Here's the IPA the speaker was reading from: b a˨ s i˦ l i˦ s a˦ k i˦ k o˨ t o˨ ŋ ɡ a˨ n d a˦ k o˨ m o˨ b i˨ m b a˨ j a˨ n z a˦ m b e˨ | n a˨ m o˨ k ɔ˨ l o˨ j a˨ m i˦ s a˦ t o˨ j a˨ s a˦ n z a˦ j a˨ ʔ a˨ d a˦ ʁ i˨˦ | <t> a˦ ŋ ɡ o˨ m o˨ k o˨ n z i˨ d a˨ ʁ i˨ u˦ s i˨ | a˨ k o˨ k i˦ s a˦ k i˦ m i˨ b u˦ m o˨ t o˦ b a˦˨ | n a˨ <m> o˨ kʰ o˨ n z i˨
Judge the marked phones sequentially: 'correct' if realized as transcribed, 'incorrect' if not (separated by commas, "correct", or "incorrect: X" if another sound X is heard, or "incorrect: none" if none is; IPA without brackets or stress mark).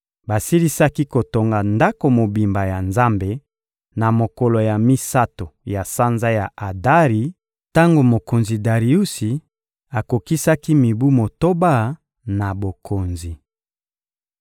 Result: correct, incorrect: b